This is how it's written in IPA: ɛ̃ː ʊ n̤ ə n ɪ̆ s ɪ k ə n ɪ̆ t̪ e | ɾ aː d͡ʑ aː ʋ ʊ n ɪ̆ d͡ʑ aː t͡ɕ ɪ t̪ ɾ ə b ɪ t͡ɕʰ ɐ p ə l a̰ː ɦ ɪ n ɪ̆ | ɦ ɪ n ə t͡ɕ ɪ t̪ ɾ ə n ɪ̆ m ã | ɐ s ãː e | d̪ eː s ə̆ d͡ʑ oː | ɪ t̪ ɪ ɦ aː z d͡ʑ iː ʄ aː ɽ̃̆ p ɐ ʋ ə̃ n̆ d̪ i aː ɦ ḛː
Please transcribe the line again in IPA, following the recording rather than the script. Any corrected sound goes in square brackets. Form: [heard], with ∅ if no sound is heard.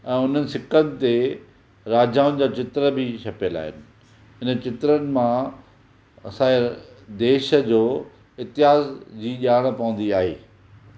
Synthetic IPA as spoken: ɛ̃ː ʊ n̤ ə n ɪ̆ s ɪ k ə n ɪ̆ t̪ e | ɾ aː d͡ʑ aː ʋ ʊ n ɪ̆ d͡ʑ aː t͡ɕ ɪ t̪ ɾ ə b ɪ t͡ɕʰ ɐ p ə l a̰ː ɦ ɪ n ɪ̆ | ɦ ɪ n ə t͡ɕ ɪ t̪ ɾ ə n ɪ̆ m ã | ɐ s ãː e | d̪ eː [ʃ] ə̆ d͡ʑ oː | ɪ t̪ ɪ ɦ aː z d͡ʑ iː ʄ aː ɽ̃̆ p ɐ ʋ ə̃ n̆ d̪ i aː ɦ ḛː